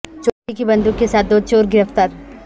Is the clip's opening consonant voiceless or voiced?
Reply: voiceless